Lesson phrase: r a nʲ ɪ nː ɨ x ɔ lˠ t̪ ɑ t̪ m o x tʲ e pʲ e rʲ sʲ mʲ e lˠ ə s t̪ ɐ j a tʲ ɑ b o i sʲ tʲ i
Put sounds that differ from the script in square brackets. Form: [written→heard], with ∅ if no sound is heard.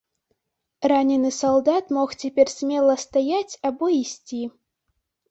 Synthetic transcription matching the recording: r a nʲ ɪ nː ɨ [x→s] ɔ lˠ [t̪→d̪] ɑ t̪ m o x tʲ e pʲ e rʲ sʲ mʲ e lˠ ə s t̪ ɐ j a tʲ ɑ b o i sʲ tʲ i